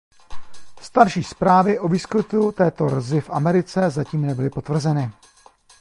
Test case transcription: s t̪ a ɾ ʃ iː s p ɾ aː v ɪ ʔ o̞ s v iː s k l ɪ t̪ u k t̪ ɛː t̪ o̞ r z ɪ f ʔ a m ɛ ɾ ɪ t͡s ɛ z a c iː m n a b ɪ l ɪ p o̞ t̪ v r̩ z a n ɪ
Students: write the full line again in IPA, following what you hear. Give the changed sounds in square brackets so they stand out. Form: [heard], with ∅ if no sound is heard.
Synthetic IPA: s t̪ a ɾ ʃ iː s p ɾ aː v ɪ ʔ o̞ [∅] v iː s k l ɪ t̪ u [∅] t̪ ɛː t̪ o̞ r z ɪ f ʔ a m ɛ ɾ ɪ t͡s ɛ z a c iː m n [ɛ] b ɪ l ɪ p o̞ t̪ v r̩ z [ɛ] n ɪ